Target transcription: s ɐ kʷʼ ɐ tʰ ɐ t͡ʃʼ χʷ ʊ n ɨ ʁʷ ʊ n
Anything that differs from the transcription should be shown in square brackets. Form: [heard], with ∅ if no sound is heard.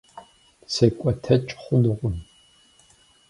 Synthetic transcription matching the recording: s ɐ kʷʼ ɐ tʰ ɐ t͡ʃʼ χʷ ʊ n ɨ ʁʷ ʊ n